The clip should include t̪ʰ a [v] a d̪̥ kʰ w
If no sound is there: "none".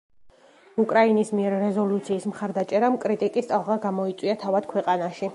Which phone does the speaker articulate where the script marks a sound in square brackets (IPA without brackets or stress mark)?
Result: v